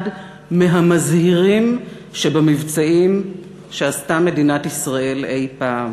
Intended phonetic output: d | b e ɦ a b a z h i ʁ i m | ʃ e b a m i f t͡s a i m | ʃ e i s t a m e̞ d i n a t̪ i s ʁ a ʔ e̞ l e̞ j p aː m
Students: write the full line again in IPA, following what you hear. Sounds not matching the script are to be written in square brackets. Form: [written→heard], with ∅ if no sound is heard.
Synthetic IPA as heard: d | [b→m] e ɦ a [b→m] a z h i ʁ i m | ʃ e b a m i [f→v] t͡s a i m | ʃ e [i→a] s t a m e̞ d i n a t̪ i s ʁ a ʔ e̞ l e̞ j p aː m